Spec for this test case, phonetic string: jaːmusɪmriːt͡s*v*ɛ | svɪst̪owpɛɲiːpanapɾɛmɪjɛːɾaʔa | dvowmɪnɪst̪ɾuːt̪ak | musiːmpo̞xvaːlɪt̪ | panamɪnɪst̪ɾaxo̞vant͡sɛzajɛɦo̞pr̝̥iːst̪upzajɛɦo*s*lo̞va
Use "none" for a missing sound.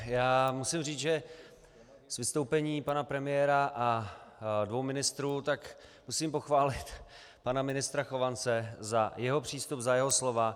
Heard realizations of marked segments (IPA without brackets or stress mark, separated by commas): ʒ, s